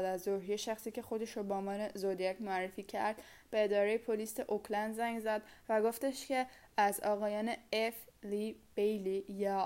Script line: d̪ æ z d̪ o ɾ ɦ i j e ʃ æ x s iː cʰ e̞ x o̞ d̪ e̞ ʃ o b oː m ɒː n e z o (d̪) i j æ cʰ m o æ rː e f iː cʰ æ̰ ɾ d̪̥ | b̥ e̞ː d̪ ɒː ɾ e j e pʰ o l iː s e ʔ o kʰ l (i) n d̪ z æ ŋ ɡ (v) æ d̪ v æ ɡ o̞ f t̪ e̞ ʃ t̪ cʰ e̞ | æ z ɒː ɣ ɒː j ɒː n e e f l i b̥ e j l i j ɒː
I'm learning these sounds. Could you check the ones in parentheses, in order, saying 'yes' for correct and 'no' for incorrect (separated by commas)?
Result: yes, no, no